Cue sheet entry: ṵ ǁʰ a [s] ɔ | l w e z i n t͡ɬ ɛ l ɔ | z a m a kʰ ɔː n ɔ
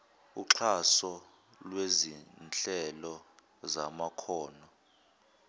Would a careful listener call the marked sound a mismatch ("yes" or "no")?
no